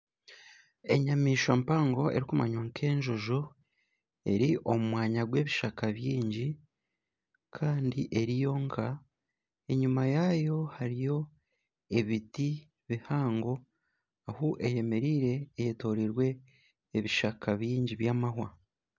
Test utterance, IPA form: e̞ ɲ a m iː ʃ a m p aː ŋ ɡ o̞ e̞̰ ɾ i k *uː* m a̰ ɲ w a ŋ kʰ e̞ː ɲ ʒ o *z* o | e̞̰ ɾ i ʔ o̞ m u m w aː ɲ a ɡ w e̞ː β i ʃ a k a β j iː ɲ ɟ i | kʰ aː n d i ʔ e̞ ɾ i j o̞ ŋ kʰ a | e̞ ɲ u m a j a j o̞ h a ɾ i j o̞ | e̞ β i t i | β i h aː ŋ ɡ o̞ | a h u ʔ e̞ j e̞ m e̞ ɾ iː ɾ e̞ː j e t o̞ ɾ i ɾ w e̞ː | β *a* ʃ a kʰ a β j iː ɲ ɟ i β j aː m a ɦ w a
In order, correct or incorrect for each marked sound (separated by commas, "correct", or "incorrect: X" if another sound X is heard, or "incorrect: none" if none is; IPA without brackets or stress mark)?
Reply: incorrect: u, incorrect: ʒ, incorrect: i